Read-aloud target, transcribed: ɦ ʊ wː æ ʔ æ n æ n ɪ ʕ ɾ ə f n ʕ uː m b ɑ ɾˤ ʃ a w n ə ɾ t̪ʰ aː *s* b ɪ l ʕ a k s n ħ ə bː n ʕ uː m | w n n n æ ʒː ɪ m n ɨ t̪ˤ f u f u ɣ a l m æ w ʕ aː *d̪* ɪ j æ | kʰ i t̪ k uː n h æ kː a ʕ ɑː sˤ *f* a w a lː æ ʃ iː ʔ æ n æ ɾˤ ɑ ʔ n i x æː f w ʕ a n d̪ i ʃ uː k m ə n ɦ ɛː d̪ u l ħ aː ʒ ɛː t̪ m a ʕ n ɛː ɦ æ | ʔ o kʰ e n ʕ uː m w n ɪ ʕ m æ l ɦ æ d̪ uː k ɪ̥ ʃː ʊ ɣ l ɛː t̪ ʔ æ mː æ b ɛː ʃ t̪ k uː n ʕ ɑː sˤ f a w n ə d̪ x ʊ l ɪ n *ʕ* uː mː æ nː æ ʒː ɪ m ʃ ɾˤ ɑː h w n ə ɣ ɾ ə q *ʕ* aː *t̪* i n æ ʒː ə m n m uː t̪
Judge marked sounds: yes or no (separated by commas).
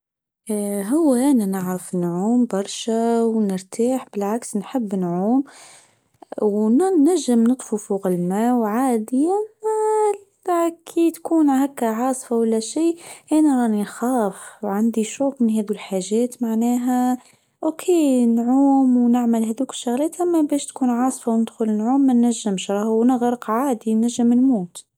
no, yes, yes, yes, yes, no